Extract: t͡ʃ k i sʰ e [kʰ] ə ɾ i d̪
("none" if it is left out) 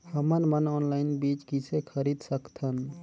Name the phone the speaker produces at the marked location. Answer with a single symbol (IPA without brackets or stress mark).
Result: kʰ